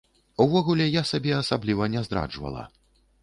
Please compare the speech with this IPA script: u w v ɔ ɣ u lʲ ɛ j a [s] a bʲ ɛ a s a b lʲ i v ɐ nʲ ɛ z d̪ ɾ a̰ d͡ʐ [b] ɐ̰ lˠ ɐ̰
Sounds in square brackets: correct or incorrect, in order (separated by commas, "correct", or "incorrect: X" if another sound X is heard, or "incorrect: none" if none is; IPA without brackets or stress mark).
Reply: correct, incorrect: v